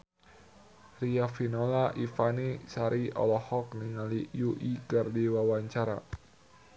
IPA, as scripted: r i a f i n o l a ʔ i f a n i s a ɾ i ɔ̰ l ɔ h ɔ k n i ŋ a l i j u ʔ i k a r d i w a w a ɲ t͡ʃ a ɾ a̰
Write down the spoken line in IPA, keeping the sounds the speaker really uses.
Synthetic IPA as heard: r i a f i n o l a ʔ i f a n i s a ɾ i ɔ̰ l ɔ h ɔ k n i ŋ a l i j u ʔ i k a r d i w a w a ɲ t͡ʃ a ɾ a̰